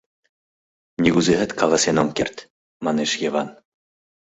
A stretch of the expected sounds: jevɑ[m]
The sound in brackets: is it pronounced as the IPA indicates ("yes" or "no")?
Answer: no